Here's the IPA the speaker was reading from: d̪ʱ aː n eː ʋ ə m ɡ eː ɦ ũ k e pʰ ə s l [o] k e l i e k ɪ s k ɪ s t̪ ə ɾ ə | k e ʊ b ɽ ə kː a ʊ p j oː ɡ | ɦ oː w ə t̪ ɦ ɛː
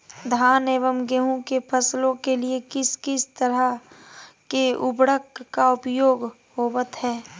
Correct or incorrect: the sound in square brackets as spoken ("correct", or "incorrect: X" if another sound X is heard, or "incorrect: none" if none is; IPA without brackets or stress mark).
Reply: incorrect: õ